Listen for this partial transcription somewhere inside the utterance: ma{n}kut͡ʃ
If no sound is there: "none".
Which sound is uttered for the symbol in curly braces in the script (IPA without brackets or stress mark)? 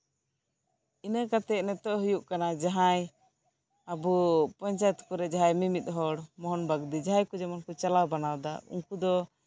n